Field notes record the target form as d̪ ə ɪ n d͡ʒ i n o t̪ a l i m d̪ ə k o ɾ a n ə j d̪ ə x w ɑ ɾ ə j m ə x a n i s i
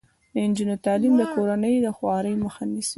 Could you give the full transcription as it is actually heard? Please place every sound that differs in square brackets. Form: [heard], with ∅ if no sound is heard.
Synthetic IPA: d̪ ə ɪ n d͡ʒ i n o t̪ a l i m d̪ ə k o ɾ a n ə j d̪ ə x w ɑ ɾ ə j m ə x a n i s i

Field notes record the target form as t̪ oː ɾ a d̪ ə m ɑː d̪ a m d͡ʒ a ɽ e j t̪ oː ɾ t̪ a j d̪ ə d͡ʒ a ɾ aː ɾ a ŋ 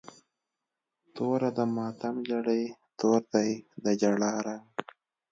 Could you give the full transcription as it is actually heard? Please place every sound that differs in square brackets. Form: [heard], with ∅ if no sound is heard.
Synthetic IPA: t̪ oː ɾ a d̪ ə m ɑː [t̪] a m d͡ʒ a ɽ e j t̪ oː ɾ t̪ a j d̪ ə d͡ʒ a [ɽ] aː ɾ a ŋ

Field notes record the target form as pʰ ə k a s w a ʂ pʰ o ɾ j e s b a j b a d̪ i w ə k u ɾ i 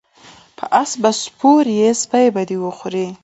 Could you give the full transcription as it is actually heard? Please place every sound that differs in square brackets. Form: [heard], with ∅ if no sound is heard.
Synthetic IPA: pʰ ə [ʔ] a s [b] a [s] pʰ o ɾ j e s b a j b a d̪ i w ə [x] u ɾ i

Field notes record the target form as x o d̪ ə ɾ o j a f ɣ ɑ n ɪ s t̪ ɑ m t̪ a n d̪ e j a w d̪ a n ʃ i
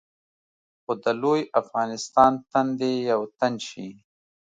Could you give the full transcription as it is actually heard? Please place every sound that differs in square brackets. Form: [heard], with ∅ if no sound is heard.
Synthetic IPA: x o d̪ ə [l] o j a f ɣ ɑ n ɪ s t̪ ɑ [n] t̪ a n d̪ e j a w [t̪] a n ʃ i

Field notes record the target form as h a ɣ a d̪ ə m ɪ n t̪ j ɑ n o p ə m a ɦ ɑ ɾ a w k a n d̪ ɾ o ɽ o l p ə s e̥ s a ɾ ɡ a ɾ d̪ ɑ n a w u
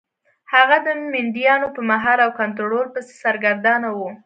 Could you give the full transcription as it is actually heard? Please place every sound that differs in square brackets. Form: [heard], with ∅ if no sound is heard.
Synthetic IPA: h a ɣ a d̪ ə m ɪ n [d̪] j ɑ n o p ə m a ɦ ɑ ɾ a w k a n [t̪] ɾ o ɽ o l p ə s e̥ s a ɾ ɡ a ɾ d̪ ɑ n a w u

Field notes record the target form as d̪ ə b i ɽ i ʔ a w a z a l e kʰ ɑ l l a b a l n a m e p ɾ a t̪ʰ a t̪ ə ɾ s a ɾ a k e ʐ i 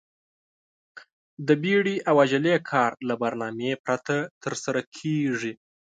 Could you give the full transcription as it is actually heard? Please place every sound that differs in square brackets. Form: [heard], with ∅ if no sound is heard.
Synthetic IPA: d̪ ə b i ɽ i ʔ a w a [ʒ] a l e kʰ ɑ [ɾ] l a b a [ɾ] n [ɑ] m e p ɾ a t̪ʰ a t̪ ə ɾ s a ɾ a [kʰ] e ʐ i

